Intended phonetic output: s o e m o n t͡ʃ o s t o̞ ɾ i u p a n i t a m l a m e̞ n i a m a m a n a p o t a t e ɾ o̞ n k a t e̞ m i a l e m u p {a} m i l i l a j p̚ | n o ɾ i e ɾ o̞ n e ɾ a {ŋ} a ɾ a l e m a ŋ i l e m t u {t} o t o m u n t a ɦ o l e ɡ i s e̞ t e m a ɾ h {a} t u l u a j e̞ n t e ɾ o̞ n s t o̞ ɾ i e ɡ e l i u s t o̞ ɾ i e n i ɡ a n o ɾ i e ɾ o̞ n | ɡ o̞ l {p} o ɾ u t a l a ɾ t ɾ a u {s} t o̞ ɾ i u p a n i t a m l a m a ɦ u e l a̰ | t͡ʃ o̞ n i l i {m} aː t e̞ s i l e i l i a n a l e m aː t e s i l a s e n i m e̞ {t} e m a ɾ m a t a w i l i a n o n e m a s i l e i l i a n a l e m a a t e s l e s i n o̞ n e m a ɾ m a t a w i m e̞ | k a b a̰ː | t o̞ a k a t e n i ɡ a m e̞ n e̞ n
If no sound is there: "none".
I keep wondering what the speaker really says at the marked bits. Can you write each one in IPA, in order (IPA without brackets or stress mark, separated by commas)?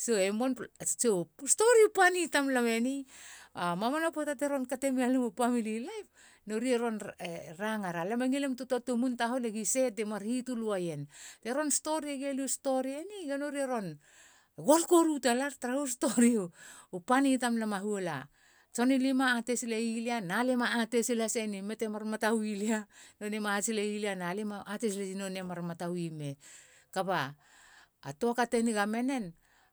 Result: a, ŋ, t, i, k, s, m, t